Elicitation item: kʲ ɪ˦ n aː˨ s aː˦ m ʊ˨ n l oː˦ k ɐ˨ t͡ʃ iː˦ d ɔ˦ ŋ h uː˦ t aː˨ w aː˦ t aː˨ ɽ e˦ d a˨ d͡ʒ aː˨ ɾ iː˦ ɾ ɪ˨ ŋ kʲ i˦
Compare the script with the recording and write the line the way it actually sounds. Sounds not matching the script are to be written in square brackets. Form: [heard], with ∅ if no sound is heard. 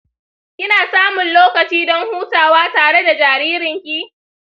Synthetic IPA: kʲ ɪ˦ n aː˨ s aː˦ m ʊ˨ n l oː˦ k ɐ˨ t͡ʃ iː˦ d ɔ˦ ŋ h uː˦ t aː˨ w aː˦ t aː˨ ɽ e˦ d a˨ d͡ʒ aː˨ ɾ iː˦ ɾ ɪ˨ ŋ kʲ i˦